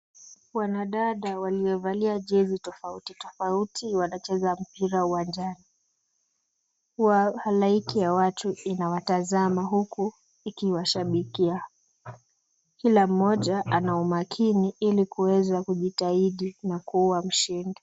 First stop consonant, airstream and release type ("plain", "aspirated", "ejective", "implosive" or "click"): implosive